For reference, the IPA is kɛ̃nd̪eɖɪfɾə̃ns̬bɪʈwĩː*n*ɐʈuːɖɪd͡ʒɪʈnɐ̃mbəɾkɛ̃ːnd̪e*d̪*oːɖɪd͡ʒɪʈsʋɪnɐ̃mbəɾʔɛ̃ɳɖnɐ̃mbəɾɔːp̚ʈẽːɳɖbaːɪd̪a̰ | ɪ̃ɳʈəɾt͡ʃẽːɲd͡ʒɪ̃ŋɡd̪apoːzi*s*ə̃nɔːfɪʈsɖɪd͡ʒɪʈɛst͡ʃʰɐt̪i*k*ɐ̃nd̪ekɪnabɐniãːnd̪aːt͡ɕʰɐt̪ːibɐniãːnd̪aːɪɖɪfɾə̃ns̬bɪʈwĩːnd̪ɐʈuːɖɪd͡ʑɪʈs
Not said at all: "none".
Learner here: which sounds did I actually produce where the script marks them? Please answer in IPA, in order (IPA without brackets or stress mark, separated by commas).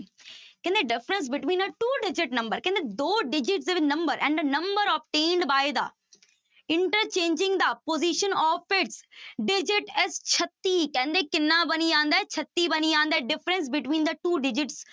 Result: n, d̪, ʃ, k